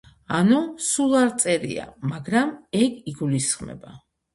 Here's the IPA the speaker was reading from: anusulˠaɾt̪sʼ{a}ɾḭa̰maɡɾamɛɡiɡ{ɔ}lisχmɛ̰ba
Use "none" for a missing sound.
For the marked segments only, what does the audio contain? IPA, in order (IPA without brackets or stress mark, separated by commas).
ɛ, u